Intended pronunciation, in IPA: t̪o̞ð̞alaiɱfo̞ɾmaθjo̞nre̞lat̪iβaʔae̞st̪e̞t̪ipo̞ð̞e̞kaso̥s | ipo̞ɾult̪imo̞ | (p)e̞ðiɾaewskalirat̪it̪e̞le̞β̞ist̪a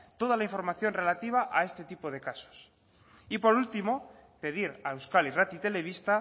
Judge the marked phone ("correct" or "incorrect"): correct